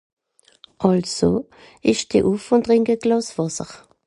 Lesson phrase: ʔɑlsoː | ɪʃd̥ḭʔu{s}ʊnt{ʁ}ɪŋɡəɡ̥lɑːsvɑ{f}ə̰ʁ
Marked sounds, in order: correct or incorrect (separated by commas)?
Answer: incorrect, correct, incorrect